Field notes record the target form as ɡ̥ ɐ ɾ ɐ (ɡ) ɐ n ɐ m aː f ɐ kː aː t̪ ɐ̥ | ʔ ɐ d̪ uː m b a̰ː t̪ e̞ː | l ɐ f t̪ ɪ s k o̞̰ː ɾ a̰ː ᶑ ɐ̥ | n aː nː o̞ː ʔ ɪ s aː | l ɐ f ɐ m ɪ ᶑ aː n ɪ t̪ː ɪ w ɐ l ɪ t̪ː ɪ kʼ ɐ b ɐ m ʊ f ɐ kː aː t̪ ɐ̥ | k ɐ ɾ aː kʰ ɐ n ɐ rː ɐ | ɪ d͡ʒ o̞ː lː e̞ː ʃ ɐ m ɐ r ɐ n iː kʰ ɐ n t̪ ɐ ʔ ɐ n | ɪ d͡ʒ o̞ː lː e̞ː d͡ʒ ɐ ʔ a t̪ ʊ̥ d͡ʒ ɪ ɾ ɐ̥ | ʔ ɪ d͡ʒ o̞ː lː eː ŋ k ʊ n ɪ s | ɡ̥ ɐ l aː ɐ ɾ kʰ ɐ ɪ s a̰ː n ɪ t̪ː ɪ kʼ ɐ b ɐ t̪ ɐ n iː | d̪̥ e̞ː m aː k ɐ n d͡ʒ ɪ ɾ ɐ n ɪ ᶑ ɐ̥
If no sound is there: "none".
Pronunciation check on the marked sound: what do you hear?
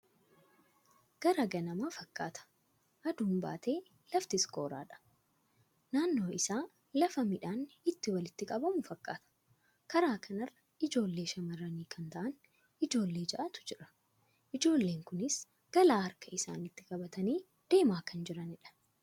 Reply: ɡ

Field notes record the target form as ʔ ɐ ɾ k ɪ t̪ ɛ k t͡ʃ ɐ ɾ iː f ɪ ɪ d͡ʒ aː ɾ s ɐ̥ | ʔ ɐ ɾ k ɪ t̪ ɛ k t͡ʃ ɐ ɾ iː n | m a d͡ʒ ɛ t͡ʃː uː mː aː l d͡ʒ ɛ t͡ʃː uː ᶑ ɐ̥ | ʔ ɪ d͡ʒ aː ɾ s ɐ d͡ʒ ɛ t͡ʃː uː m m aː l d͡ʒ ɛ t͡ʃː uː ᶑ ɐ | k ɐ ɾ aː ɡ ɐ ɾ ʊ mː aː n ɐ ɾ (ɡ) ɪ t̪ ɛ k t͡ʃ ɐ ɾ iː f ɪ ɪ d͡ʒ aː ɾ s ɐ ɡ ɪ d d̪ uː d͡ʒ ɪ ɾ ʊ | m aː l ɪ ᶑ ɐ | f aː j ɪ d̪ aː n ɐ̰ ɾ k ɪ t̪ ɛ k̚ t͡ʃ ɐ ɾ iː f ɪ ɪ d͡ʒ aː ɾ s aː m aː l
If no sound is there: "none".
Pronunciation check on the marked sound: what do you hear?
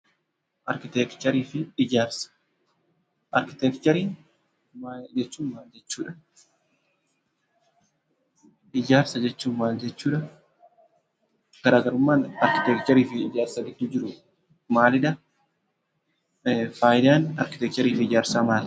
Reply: k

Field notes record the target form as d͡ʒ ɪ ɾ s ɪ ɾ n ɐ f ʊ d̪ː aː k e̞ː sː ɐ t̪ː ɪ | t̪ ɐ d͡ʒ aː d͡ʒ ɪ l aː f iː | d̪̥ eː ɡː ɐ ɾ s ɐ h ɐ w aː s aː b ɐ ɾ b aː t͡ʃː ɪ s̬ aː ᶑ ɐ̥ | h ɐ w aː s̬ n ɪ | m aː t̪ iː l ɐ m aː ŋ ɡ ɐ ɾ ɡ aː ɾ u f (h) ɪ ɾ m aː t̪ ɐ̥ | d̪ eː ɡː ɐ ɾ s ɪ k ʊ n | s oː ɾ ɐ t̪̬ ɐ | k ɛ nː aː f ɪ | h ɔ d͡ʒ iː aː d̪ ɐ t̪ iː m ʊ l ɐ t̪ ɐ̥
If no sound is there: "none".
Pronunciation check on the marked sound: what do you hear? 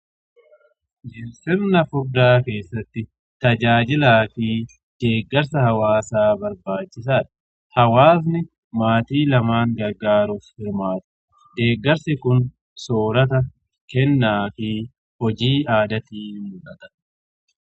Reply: h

